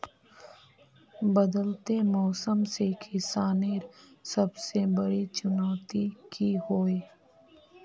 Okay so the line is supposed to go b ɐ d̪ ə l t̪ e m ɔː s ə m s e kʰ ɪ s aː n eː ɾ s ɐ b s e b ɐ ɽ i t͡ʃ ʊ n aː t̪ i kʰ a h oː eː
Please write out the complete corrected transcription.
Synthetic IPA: b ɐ d̪ ə l t̪ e m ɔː s ə m s e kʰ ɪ s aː n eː ɾ s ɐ b s e b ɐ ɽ i t͡ʃ ʊ n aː t̪ i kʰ i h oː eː